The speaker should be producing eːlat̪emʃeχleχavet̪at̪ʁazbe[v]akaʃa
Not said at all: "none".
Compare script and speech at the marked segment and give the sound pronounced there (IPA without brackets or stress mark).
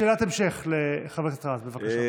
v